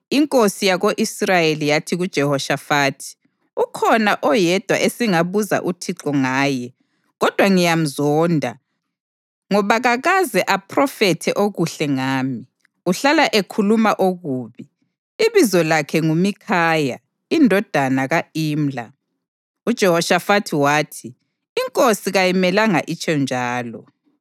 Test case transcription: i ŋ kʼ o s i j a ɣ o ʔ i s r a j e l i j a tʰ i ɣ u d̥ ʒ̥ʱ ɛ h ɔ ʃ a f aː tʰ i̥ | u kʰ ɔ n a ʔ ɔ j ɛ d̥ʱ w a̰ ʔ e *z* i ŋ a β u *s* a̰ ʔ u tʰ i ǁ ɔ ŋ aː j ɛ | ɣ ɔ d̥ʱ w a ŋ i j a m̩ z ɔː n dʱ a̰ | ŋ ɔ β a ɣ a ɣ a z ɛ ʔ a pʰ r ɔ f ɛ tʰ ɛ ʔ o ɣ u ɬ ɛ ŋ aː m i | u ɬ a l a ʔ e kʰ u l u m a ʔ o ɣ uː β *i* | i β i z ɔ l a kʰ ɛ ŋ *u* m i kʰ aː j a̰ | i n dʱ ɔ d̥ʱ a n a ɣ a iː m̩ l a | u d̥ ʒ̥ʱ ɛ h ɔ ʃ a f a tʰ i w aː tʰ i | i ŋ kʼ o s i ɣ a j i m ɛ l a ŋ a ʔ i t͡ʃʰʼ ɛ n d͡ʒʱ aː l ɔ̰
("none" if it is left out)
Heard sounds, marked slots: s, z, i, u

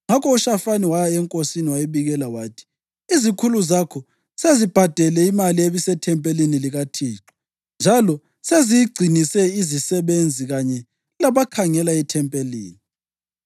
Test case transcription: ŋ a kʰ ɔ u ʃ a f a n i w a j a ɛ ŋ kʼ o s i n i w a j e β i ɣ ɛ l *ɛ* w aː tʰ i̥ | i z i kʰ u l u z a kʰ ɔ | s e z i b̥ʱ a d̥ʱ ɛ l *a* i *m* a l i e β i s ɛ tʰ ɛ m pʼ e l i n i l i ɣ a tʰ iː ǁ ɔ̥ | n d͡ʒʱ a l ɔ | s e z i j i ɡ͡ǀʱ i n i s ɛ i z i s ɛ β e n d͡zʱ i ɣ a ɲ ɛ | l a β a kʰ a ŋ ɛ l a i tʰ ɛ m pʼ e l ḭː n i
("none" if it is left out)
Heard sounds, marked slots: a, ɛ, m

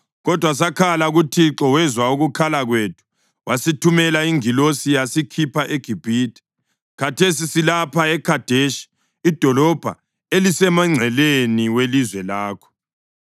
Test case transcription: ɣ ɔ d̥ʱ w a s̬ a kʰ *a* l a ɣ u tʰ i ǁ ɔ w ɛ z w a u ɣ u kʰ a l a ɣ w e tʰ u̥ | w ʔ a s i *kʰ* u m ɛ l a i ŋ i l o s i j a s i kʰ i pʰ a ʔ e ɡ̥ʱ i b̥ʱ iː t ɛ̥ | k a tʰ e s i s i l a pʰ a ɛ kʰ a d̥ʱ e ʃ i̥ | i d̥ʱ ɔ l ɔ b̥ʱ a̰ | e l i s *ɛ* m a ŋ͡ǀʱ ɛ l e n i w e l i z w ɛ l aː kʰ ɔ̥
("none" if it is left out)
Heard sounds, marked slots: a, tʰ, ɛ

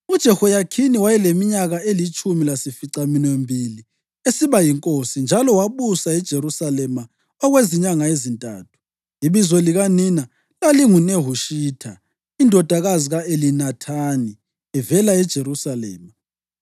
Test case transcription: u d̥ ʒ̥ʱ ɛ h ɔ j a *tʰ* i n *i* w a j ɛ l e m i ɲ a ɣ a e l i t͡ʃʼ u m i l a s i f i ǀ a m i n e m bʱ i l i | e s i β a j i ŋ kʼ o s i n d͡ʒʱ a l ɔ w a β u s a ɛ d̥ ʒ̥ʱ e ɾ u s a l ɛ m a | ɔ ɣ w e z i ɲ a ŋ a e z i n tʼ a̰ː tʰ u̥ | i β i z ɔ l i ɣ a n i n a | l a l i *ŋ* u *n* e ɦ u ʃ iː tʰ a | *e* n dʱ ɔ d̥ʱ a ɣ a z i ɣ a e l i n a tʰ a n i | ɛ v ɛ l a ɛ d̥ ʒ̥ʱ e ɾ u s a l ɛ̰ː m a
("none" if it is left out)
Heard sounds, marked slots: kʰ, i, ŋ, n, i

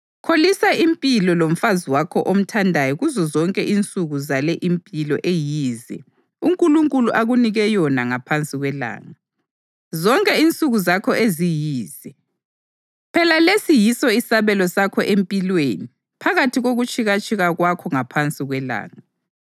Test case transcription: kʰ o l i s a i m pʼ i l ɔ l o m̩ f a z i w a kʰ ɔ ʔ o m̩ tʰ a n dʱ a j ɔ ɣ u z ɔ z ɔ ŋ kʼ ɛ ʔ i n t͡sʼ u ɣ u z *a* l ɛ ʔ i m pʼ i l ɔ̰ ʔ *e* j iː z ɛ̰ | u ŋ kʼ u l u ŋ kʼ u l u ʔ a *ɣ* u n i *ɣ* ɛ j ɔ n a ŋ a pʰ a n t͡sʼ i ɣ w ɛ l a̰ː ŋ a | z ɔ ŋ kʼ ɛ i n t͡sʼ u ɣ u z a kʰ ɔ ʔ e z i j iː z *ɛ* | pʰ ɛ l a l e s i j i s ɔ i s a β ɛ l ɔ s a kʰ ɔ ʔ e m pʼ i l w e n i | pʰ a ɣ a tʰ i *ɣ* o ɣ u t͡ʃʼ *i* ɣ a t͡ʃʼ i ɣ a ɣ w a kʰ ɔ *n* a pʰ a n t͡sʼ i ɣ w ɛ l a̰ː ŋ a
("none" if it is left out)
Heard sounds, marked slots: a, e, ɣ, ɣ, ɛ, ɣ, i, ŋ

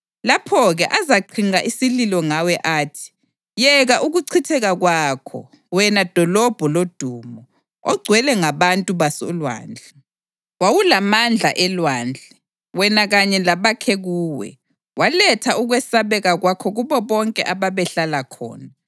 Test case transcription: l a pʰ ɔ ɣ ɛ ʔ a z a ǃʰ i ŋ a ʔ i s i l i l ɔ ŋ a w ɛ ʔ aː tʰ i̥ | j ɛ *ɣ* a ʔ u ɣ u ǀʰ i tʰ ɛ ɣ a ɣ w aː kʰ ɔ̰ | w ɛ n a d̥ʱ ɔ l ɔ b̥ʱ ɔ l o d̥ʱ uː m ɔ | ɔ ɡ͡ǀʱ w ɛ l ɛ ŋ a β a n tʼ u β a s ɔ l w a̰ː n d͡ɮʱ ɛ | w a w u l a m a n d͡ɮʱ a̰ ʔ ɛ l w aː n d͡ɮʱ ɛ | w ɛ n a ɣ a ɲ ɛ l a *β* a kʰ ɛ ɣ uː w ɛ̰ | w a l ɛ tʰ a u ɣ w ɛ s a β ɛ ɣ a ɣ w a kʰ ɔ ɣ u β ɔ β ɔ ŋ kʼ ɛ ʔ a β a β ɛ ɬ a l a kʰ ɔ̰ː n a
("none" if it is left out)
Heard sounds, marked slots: ɣ, β

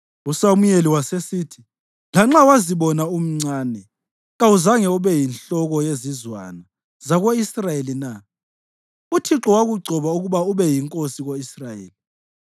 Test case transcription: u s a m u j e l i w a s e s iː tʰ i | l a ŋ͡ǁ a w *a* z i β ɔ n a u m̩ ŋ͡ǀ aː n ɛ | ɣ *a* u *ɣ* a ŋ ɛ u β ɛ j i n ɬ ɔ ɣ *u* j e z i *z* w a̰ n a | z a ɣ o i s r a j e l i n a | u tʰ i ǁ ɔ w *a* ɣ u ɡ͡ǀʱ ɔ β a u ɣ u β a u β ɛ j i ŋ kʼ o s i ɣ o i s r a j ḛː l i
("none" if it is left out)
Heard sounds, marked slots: a, a, z, ɔ, z, a

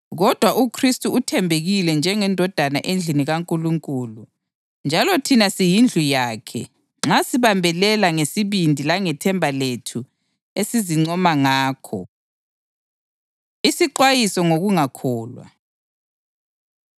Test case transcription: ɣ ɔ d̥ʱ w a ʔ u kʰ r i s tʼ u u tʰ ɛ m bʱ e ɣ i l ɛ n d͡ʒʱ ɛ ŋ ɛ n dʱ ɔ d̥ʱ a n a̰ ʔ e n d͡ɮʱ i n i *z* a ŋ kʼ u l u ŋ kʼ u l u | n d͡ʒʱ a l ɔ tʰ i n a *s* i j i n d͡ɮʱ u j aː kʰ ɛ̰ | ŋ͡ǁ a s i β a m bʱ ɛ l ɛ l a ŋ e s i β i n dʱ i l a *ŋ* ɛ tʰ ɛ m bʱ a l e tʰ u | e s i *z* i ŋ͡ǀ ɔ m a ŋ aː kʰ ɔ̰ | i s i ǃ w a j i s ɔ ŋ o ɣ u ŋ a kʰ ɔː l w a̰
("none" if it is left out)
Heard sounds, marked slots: ɣ, s, ŋ, z

